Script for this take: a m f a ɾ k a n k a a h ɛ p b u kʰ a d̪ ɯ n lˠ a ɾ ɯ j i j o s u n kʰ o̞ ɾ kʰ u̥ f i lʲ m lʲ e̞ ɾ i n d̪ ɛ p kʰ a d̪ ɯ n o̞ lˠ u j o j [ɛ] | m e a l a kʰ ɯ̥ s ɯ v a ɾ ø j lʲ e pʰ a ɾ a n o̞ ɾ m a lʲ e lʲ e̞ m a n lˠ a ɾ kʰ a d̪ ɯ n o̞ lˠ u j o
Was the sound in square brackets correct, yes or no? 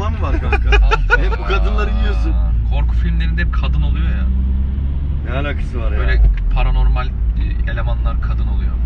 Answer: no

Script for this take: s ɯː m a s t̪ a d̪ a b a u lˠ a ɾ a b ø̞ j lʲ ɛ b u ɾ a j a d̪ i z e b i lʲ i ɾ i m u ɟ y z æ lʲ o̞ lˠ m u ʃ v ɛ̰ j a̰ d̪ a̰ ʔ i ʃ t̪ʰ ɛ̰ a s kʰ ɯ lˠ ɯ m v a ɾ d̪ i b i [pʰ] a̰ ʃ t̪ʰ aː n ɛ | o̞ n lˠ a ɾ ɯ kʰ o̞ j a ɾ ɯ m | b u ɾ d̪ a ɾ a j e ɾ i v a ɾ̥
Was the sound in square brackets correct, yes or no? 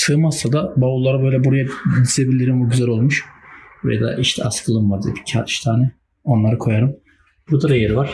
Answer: no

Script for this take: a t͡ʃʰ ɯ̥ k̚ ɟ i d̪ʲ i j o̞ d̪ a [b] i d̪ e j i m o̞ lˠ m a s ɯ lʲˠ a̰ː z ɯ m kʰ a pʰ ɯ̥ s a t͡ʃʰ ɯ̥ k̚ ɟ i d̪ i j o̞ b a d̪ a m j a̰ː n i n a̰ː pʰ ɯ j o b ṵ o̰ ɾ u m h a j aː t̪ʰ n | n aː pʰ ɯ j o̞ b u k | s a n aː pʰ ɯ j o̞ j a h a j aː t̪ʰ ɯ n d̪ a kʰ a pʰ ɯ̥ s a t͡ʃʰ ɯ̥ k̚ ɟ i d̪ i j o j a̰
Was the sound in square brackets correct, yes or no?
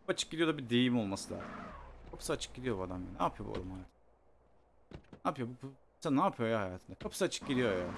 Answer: yes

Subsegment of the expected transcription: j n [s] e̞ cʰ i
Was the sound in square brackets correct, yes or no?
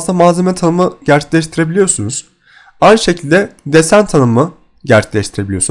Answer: no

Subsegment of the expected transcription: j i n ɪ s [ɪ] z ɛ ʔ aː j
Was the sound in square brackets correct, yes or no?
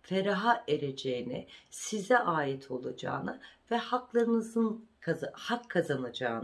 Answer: no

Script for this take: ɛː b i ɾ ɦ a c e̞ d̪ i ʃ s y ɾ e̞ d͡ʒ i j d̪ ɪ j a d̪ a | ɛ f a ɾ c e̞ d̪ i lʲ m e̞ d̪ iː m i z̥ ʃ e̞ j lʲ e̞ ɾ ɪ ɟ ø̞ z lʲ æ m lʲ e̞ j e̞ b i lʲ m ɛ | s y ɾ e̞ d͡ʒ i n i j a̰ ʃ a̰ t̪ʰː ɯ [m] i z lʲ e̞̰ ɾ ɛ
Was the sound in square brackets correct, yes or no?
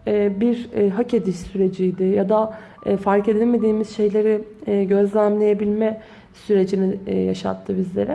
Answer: no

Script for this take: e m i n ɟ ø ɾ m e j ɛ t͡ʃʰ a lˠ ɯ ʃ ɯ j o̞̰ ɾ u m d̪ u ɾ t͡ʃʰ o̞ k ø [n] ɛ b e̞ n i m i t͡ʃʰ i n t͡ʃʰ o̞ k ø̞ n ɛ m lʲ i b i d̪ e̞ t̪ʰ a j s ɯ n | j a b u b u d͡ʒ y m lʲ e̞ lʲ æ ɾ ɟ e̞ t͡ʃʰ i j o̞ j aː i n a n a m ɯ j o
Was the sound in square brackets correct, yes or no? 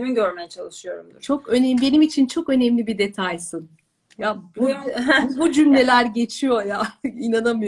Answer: yes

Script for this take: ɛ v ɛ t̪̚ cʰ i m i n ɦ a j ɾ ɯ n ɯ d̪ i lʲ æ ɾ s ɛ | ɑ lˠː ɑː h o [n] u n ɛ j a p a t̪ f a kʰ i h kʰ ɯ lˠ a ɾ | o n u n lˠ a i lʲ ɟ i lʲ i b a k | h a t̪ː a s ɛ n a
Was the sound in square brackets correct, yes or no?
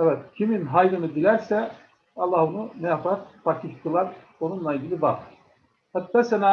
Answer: yes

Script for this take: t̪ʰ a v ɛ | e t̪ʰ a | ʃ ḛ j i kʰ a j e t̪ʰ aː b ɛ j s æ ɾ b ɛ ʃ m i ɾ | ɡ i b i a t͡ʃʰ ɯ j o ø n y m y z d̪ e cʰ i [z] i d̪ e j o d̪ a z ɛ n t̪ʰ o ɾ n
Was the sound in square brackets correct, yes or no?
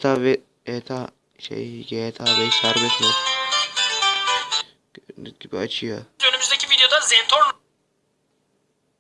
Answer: no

